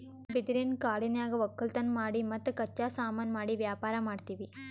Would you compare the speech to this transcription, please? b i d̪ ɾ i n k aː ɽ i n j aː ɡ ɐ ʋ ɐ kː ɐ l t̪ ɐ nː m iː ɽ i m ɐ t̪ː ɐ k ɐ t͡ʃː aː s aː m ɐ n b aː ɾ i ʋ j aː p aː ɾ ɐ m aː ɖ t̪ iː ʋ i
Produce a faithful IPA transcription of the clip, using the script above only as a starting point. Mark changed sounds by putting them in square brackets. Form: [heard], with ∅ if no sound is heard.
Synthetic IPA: b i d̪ ɾ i n k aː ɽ i n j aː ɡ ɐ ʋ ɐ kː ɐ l t̪ ɐ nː m [aː] ɽ i m ɐ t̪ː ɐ k ɐ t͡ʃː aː s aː m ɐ n [m] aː [ɽ] i ʋ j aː p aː ɾ ɐ m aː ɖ t̪ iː ʋ i